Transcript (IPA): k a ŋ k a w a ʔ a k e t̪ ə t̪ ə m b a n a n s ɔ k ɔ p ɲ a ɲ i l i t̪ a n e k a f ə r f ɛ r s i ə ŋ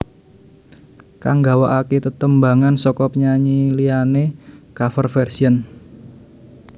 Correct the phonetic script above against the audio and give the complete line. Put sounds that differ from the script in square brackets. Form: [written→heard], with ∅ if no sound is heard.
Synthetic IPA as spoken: k a ŋ [k→ɡ] a w a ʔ a k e t̪ ə t̪ ə m b a [n→ŋ] a n s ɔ k ɔ p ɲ a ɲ i l i [t̪→∅] a n e k a f ə r f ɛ r s i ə [ŋ→n]